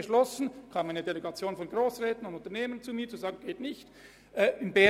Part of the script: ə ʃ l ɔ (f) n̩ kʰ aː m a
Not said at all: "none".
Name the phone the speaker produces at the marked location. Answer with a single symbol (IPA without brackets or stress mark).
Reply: s